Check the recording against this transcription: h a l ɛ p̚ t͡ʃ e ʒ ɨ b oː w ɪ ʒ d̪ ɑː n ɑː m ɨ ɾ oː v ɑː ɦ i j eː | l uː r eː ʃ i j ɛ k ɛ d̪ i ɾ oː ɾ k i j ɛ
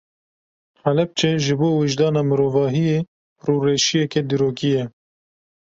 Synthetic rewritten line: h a l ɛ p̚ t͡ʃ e ʒ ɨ b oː w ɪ ʒ d̪ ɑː n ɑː m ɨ ɾ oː v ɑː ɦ i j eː | r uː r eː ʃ i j ɛ k ɛ d̪ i ɾ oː k i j ɛ